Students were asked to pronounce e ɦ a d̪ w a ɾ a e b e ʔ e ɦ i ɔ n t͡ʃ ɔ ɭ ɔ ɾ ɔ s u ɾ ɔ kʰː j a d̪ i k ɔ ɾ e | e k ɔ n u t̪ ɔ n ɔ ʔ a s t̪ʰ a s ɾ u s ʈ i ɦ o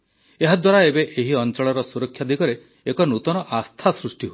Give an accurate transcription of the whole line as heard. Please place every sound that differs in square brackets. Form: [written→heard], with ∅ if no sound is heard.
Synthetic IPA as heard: e ɦ a d̪ w a ɾ a e b e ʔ e ɦ i ɔ n t͡ʃ ɔ ɭ ɔ ɾ ɔ s u ɾ ɔ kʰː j a d̪ i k ɔ ɾ e | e k ɔ n u t̪ ɔ n ɔ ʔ a s t̪ʰ a s ɾ u s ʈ i ɦ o